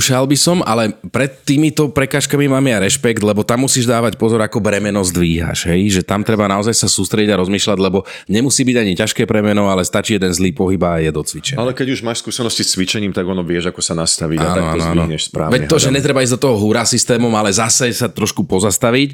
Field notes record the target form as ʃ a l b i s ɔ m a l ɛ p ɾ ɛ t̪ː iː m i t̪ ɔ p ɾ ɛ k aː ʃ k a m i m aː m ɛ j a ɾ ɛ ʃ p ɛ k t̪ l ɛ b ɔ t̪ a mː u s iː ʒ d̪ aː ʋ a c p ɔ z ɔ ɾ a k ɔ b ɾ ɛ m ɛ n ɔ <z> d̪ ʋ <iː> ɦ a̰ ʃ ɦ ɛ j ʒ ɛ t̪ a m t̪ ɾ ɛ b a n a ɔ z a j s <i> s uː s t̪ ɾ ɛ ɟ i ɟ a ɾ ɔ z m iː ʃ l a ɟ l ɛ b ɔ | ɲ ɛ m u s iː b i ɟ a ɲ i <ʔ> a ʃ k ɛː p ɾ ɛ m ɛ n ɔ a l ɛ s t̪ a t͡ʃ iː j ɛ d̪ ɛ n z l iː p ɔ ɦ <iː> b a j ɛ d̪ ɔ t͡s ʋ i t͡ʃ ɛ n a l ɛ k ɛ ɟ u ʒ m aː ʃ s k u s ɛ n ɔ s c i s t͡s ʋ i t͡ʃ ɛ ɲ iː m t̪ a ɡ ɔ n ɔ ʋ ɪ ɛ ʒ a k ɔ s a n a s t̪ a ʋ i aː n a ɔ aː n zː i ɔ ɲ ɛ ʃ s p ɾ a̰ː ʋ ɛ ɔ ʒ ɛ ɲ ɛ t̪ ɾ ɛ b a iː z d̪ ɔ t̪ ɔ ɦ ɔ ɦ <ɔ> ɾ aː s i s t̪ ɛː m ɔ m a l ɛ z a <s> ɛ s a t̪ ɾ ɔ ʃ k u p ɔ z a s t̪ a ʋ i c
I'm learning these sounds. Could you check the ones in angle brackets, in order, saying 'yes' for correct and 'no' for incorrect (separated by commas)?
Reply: yes, yes, no, no, no, no, yes